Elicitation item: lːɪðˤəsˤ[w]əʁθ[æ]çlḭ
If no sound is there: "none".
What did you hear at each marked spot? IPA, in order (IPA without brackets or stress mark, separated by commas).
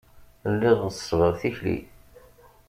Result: v, i